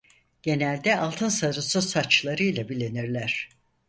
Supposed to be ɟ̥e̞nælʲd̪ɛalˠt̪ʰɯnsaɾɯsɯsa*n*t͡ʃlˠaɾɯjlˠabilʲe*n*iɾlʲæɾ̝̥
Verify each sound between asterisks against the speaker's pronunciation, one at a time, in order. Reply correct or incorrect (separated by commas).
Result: incorrect, correct